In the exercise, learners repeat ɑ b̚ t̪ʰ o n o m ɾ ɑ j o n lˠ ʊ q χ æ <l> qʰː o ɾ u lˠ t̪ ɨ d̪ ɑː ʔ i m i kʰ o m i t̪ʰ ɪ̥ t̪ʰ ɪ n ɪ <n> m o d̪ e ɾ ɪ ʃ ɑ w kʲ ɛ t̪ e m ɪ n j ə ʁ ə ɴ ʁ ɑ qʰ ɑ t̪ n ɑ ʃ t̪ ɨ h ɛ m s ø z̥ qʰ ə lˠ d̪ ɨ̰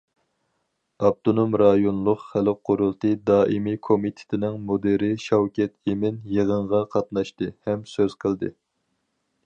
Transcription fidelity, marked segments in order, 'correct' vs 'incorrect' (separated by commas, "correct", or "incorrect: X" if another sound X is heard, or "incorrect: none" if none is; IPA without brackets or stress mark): correct, incorrect: ŋ